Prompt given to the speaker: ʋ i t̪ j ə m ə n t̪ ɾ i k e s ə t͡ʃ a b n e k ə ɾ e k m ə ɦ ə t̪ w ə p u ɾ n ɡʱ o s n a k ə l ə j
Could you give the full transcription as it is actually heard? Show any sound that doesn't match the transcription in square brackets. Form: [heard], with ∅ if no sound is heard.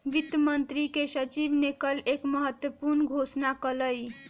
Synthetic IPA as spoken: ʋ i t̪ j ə m ə n t̪ ɾ i k e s ə t͡ʃ [i] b n e k ə [l] e k m ə ɦ ə t̪ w ə p u ɾ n ɡʱ o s n a k ə l ə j

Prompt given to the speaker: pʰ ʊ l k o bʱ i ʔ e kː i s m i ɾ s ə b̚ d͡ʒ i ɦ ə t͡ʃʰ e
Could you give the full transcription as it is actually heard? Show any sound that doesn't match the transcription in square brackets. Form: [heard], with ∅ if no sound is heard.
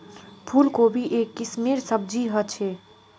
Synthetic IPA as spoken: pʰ [u] l k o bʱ i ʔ e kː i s m i ɾ s ə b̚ d͡ʒ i ɦ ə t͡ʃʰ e

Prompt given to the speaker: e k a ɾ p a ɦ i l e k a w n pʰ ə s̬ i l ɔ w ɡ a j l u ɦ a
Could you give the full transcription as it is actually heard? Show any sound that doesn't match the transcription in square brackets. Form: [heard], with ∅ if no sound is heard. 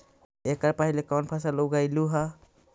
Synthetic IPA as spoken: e k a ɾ p a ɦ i l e k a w n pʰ [a] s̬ [a] l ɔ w ɡ a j l u ɦ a

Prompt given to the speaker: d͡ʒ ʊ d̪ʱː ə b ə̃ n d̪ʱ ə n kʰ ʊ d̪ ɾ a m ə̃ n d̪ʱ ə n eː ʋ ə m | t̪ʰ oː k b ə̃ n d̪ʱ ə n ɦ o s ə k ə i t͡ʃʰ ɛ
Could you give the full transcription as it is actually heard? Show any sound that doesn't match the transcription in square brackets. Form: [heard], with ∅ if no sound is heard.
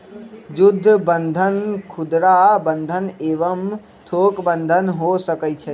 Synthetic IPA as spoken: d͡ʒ ʊ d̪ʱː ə b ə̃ n d̪ʱ ə n kʰ ʊ d̪ ɾ a [b] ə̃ n d̪ʱ ə n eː ʋ ə m | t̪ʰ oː k b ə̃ n d̪ʱ ə n ɦ o s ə k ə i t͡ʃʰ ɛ

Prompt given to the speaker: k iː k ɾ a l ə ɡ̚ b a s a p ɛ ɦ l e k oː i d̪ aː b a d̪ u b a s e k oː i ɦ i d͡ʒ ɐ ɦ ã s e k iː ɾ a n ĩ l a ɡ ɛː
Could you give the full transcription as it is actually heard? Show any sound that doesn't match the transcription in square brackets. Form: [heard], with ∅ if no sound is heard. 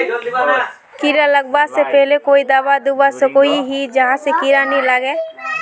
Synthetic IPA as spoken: k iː [∅] ɾ a l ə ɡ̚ b a s [e] p ɛ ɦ l e k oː i d̪ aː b a d̪ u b a s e k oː i ɦ i d͡ʒ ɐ ɦ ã s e k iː ɾ a n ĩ l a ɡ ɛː

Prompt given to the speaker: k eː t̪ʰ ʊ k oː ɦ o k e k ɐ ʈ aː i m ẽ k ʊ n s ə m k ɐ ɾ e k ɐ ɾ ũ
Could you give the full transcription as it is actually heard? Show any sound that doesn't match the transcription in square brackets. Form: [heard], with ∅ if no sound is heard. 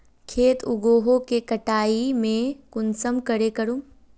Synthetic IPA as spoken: [kʰ] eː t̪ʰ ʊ [ɡ] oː ɦ o k e k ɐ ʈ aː i m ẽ k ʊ n s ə m k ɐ ɾ e k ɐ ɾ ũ

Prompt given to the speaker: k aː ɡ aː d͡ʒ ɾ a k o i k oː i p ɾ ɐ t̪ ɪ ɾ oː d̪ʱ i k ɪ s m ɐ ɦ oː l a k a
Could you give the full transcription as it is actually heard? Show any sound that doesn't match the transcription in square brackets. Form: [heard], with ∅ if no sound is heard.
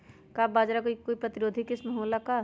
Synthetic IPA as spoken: k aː [b] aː d͡ʒ ɾ a k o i k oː i p ɾ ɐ t̪ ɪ ɾ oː d̪ʱ i k ɪ s m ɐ ɦ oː l a k a

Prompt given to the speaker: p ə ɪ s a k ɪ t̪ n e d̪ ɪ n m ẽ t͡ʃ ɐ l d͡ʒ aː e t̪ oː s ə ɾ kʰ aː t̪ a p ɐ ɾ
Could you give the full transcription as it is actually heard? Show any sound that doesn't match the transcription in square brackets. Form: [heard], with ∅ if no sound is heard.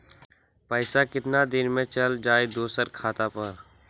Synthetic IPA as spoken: p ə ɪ s a k ɪ t̪ n [a] d̪ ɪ n m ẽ t͡ʃ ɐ l d͡ʒ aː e [d̪] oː s ə ɾ kʰ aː t̪ a p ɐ ɾ

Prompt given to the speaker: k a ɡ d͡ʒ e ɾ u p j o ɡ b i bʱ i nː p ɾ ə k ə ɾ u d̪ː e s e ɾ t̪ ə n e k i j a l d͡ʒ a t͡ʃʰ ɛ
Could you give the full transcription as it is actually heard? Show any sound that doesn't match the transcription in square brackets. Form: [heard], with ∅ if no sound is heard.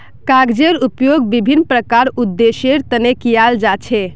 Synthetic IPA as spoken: k a ɡ d͡ʒ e ɾ u p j o ɡ b i bʱ i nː p ɾ ə k [a] ɾ u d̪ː e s e ɾ t̪ ə n e k i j a l d͡ʒ a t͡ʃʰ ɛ

